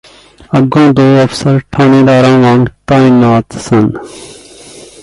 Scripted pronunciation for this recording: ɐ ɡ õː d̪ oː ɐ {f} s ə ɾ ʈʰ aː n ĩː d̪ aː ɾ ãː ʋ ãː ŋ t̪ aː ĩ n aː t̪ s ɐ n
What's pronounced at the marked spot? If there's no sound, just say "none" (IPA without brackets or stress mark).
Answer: f